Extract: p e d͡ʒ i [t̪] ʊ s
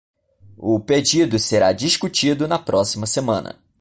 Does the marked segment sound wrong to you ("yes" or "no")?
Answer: yes